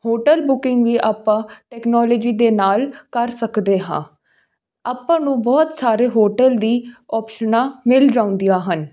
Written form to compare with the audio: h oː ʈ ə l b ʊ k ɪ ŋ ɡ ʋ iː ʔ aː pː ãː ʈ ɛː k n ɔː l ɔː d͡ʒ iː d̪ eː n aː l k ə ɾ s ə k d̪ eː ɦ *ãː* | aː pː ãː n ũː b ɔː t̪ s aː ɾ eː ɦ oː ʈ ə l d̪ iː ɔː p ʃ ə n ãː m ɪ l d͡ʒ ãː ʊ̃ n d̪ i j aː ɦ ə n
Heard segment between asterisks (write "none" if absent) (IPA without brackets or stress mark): ãː